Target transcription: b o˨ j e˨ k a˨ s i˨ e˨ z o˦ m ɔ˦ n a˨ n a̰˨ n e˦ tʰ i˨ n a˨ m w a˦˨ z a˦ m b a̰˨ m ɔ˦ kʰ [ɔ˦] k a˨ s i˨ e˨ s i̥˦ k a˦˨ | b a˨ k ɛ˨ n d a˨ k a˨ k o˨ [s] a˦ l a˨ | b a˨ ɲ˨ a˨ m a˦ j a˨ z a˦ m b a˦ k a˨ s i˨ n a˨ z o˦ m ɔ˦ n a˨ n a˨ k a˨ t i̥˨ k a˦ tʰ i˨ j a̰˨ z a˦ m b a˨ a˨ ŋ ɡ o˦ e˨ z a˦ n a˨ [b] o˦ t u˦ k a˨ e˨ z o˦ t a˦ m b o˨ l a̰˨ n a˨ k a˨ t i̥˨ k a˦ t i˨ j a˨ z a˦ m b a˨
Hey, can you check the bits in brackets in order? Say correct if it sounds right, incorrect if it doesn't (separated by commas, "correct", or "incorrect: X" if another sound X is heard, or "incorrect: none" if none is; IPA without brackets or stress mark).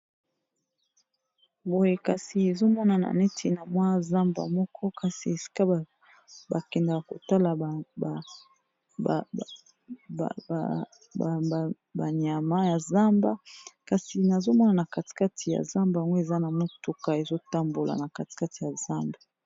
correct, incorrect: t, incorrect: m